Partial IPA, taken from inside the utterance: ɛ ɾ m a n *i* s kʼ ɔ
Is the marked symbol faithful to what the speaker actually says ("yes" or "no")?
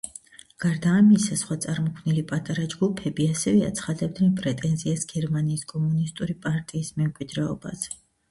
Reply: no